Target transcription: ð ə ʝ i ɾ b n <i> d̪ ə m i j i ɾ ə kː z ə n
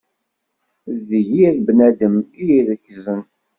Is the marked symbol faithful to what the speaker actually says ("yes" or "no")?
no